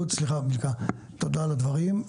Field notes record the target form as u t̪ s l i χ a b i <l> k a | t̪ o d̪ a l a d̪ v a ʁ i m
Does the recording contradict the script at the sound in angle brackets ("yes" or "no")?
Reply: no